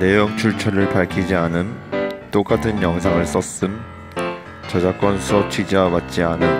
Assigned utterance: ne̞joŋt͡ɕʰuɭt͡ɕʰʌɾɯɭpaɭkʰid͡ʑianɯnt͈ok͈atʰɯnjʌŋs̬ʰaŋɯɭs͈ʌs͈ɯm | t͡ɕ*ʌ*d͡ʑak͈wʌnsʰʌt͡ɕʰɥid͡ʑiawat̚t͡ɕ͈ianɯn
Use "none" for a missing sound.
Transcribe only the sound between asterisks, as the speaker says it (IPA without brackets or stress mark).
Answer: ʌ